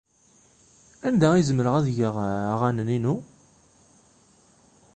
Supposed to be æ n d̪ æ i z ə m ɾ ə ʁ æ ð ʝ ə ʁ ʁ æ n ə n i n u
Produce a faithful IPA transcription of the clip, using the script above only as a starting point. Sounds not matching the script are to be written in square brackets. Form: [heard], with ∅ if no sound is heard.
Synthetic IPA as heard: æ n d̪ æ i z ə m ɾ ə ʁ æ ð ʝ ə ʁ ʁ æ n ə n i n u